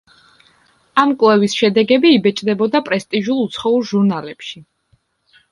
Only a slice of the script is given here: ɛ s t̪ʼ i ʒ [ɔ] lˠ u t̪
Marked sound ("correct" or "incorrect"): incorrect